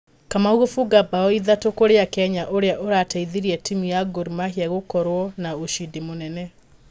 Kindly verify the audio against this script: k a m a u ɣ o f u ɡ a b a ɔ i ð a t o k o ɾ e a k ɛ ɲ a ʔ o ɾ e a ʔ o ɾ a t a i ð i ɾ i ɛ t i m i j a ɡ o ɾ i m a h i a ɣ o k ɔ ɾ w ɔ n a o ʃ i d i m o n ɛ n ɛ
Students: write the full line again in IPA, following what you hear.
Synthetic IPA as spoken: k a m a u ɣ o f u ɡ a b a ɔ i ð a t o k o ɾ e a k ɛ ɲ a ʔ o ɾ e a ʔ o ɾ a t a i ð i ɾ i ɛ t i m i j a ɡ o ɾ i m a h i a ɣ o k ɔ ɾ w ɔ n a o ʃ i d i m o n ɛ n ɛ